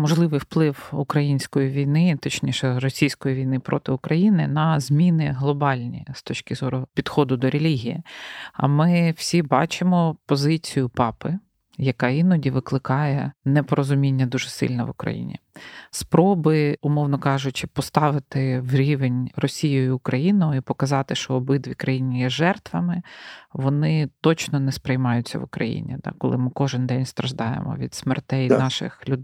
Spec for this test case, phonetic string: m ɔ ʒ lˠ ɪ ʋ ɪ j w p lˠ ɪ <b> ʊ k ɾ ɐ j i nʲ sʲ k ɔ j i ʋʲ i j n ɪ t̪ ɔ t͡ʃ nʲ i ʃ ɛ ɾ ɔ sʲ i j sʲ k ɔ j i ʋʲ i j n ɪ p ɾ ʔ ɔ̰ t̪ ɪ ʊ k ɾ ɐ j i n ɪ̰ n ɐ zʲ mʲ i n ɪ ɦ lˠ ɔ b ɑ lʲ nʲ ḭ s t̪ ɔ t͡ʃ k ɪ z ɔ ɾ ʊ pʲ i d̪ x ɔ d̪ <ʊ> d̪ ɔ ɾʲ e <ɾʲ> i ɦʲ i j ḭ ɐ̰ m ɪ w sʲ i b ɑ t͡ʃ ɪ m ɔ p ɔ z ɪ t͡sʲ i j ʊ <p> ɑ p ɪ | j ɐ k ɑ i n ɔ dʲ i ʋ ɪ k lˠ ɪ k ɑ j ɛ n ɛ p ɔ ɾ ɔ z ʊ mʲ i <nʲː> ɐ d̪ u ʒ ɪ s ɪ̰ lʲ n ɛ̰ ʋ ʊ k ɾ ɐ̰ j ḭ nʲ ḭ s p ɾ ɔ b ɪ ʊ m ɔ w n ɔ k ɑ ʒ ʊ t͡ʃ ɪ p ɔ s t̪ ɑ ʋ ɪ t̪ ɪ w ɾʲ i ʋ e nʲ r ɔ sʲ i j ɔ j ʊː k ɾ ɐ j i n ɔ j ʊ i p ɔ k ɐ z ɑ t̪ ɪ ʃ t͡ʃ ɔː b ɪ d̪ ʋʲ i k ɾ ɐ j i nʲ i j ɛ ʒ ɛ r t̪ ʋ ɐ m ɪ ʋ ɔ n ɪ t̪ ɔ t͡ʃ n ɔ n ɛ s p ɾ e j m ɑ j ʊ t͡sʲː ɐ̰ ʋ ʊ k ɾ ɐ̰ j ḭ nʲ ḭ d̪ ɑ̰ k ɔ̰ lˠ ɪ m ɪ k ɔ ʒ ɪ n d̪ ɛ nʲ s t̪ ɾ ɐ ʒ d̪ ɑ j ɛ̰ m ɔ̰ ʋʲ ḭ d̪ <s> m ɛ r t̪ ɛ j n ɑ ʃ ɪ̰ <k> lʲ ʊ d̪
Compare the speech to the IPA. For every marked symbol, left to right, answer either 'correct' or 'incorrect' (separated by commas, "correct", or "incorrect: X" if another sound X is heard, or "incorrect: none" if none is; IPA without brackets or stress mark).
incorrect: w, correct, incorrect: lʲ, correct, correct, correct, incorrect: x